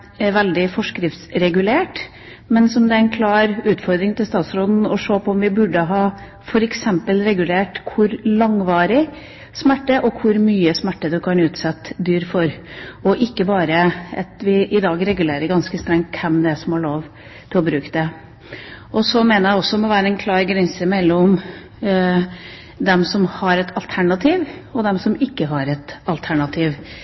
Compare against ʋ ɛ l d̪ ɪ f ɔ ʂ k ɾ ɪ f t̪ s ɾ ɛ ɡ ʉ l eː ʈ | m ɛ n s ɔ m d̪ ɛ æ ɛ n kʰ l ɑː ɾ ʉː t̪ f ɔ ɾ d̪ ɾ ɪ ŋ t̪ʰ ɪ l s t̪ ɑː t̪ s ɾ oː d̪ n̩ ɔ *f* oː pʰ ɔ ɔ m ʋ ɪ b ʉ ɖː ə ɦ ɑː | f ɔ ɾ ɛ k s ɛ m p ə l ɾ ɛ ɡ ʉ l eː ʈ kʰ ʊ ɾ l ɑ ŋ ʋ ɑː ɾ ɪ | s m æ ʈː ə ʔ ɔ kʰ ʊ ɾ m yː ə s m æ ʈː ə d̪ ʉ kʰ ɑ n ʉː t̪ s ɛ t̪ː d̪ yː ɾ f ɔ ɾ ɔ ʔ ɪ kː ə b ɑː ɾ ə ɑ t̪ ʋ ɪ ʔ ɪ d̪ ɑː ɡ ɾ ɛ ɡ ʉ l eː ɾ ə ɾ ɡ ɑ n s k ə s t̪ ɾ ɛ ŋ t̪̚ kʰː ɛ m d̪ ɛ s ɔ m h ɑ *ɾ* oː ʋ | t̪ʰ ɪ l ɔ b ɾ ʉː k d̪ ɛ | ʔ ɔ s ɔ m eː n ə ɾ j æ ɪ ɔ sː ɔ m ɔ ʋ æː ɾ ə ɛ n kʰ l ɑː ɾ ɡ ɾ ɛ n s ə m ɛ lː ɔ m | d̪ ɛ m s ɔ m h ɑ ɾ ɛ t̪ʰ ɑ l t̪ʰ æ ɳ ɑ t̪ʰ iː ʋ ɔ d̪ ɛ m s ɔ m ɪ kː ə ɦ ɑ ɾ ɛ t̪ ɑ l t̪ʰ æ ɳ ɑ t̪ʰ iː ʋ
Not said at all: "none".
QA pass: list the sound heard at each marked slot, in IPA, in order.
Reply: ʂ, ɭ

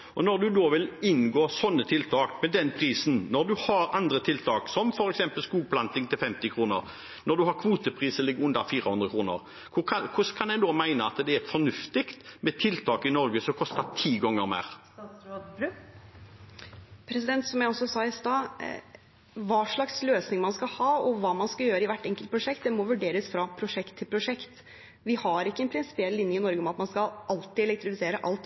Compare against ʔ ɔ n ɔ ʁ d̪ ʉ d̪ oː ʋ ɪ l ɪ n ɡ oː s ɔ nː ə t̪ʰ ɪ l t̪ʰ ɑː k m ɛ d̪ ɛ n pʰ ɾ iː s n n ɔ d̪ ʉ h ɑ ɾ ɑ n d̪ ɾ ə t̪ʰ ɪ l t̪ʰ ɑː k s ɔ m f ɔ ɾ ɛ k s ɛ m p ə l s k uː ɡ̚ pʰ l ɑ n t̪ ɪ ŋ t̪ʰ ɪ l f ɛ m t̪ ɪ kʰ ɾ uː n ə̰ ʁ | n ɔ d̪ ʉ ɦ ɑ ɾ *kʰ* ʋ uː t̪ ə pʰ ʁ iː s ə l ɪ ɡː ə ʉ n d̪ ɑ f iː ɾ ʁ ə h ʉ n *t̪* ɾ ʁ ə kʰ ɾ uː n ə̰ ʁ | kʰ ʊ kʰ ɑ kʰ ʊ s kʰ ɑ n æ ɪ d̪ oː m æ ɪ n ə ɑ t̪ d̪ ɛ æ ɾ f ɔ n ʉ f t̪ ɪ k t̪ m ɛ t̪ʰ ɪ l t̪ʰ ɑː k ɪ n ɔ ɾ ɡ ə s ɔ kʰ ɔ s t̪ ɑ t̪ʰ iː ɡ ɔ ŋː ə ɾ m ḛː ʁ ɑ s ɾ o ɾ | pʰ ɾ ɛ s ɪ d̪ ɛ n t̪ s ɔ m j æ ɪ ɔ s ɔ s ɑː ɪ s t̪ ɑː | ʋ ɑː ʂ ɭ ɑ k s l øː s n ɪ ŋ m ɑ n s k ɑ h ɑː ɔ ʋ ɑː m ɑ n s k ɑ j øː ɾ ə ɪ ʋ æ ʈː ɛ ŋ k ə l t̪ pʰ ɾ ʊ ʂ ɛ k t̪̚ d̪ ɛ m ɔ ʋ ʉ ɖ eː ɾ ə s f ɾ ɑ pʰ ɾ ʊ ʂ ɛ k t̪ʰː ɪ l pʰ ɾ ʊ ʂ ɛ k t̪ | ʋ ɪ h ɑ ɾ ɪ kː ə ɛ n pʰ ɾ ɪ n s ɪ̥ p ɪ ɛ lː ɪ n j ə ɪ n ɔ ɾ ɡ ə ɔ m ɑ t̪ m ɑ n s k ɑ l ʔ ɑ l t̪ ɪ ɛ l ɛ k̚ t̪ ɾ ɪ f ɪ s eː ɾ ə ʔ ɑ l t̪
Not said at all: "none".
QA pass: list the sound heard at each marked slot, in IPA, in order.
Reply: kʰ, d̪

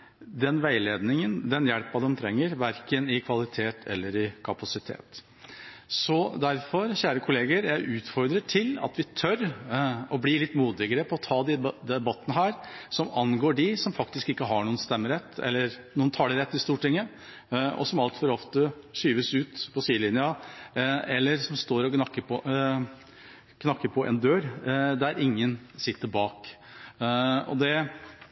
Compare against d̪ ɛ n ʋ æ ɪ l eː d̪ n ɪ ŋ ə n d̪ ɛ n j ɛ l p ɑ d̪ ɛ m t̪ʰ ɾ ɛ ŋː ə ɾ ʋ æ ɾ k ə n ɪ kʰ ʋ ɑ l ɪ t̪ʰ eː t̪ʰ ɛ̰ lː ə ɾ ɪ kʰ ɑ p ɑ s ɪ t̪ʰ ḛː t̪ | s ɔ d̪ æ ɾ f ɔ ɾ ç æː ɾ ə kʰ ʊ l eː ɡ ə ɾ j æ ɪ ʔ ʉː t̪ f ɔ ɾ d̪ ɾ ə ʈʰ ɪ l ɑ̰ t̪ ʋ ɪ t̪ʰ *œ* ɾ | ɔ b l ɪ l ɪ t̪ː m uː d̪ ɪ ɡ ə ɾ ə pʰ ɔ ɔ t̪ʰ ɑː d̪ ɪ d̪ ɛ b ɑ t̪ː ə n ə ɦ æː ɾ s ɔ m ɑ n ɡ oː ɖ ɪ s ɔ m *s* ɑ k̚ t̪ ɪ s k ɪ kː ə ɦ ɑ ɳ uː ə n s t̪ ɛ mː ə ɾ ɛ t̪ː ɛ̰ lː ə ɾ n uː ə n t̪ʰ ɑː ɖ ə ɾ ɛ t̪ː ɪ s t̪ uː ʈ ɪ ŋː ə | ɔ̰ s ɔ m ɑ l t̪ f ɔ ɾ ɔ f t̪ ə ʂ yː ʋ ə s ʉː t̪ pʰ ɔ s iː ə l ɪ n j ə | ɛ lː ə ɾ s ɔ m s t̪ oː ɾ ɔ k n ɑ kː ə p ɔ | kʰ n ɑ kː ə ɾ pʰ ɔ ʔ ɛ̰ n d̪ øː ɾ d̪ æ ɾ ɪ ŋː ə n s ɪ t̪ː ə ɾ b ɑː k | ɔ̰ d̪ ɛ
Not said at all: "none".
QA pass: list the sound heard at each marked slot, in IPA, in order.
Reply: œ, f

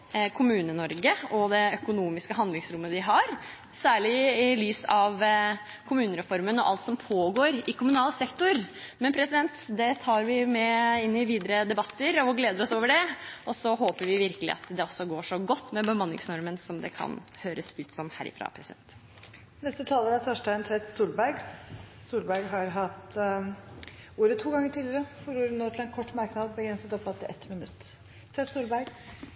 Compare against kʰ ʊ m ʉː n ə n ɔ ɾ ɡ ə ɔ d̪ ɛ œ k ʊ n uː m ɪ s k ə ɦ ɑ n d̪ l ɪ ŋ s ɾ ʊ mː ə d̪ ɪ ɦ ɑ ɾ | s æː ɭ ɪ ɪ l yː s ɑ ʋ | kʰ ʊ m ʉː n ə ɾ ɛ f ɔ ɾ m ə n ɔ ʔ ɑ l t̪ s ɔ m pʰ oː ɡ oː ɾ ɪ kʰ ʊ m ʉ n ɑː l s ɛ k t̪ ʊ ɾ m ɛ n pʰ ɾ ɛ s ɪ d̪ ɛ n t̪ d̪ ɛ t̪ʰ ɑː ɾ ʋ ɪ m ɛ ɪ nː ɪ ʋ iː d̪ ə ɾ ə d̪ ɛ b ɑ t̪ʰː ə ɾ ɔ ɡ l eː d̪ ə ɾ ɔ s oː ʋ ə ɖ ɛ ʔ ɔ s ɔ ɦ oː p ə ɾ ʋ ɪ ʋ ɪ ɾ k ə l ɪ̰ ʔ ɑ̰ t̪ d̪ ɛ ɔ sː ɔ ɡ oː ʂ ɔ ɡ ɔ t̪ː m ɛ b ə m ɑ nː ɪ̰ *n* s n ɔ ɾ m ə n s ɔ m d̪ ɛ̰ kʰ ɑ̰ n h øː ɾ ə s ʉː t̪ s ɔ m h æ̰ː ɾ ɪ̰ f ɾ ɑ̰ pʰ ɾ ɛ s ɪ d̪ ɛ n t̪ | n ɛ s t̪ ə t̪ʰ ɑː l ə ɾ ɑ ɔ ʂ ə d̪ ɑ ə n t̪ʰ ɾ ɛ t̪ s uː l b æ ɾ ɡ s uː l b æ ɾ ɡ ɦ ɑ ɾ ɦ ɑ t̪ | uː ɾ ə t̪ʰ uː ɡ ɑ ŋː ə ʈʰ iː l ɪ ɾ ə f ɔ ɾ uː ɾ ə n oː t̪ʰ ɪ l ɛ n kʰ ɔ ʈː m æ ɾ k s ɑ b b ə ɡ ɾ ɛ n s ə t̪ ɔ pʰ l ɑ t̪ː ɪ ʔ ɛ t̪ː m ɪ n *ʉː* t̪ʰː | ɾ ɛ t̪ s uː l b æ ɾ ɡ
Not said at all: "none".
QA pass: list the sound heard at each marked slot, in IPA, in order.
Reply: ŋ, ʉ

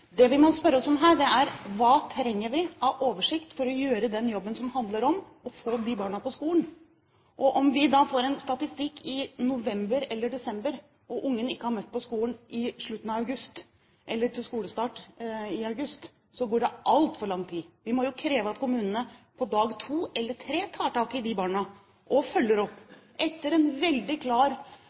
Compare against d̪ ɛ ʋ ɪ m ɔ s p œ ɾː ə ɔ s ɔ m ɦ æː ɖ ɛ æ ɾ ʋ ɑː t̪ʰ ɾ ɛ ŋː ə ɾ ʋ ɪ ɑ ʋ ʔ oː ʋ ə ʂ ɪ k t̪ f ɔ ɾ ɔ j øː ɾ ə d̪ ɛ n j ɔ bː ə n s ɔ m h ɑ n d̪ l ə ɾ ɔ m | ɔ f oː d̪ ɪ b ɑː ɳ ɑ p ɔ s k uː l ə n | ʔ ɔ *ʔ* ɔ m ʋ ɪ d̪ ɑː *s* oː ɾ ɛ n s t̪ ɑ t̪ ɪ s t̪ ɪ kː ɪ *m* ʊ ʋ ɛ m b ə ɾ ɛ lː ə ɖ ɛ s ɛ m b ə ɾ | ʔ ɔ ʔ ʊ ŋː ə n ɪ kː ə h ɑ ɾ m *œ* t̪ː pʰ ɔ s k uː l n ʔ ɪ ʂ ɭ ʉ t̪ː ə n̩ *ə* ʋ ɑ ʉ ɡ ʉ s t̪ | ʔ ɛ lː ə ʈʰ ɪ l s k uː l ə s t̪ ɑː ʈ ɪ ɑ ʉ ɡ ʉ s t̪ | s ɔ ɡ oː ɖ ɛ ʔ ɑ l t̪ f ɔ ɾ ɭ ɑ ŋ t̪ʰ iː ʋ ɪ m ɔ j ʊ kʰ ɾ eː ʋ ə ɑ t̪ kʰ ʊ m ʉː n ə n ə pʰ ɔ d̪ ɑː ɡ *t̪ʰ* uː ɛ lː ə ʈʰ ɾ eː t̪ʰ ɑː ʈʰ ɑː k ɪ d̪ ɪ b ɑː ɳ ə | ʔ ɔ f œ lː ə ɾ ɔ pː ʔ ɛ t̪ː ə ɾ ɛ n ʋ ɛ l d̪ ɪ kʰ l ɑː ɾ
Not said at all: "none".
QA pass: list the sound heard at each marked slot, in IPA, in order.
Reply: ʔ, f, n, œ, ɑ, t̪ʰ

